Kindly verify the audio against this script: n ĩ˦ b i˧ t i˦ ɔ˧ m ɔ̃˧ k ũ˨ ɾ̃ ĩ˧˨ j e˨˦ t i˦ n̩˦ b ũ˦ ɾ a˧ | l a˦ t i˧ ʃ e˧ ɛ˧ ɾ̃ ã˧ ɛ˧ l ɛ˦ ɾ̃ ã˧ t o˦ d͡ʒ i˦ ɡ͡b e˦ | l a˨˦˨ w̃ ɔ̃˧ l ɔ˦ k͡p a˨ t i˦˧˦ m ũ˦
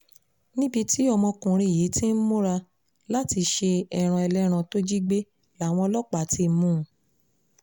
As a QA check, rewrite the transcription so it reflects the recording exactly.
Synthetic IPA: n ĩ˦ b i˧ t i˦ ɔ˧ m ɔ̃˧ k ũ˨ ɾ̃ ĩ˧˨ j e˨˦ t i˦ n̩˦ m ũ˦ ɾ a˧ | l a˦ t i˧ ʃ e˧ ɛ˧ ɾ̃ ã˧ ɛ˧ l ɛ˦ ɾ̃ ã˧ t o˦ d͡ʒ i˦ ɡ͡b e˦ | l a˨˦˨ w̃ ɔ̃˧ l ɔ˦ k͡p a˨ t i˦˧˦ m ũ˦